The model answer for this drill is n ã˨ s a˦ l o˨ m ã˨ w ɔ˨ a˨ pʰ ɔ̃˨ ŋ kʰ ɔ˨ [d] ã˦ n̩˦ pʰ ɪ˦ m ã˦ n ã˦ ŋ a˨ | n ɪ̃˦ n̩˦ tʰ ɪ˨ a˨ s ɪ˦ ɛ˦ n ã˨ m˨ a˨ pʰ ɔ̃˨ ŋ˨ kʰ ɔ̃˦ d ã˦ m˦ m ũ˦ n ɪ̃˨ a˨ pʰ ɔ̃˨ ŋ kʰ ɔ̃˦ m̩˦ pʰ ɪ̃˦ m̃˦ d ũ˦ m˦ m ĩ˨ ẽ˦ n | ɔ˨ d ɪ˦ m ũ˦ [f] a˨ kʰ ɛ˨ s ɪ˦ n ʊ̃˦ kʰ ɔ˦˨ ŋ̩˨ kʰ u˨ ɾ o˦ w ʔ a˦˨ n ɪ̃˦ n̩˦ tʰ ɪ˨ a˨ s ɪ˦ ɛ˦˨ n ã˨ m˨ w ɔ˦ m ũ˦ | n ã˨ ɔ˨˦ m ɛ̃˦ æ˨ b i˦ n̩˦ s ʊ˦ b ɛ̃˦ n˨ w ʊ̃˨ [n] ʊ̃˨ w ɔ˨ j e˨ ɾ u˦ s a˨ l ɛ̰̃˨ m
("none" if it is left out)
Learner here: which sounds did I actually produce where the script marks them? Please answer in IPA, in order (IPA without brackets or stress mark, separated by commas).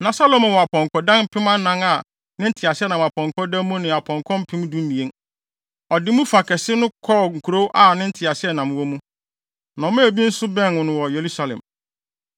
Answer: d, f, n